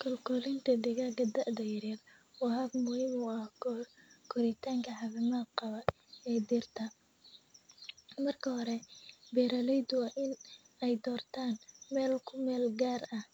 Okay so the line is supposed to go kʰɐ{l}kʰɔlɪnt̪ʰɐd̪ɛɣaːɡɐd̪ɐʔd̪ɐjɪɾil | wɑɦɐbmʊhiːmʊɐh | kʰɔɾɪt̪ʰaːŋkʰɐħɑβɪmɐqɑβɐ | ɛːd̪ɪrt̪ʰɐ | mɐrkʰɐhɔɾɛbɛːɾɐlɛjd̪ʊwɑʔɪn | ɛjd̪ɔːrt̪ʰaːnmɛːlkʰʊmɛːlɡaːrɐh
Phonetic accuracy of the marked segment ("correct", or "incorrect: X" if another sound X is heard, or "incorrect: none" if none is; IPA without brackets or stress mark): correct